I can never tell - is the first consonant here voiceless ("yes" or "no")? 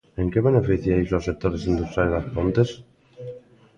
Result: no